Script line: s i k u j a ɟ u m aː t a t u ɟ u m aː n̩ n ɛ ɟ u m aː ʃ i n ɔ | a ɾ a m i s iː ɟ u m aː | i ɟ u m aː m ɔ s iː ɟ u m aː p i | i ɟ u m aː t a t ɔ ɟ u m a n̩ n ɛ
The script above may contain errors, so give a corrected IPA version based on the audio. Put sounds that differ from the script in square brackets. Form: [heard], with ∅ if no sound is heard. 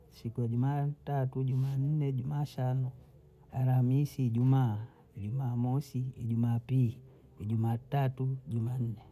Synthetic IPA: s i k u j a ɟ u m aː t a t u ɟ u m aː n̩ n ɛ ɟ u m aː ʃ [a] n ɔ | a ɾ a m i s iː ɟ u m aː | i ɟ u m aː m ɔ s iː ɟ u m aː p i | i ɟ u m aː t a t [u] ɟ u m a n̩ n ɛ